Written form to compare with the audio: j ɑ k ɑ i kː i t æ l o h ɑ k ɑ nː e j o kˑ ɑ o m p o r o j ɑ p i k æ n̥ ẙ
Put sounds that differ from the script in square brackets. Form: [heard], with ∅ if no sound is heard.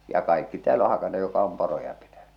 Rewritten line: j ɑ k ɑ i kː i t [æː] l o h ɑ k ɑ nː e j o kˑ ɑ o m p o r o j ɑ p i [t] æ n̥ ẙ